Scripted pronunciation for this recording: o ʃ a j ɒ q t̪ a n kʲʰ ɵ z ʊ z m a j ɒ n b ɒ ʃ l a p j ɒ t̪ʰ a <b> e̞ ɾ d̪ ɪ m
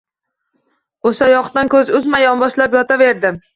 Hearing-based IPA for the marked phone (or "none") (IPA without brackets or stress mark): v